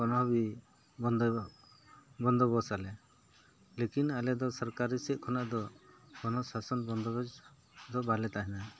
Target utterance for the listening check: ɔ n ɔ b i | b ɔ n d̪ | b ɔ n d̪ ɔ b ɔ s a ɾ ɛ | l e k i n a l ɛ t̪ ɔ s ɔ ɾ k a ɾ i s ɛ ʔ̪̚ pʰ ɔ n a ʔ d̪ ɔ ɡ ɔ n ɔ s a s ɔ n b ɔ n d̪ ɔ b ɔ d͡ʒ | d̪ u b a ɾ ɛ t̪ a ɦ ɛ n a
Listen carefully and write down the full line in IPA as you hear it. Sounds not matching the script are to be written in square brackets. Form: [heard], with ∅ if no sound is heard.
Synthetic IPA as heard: ɔ n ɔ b i | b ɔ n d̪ | b ɔ n d̪ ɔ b ɔ s a [l] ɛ | l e k i n a l ɛ [d̪] ɔ s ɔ ɾ k a ɾ i s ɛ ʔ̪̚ [kʰ] ɔ n a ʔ d̪ ɔ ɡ ɔ n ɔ s a s ɔ n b ɔ n d̪ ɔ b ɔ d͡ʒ | d̪ [ɔ] b a [l] ɛ t̪ a ɦ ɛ n a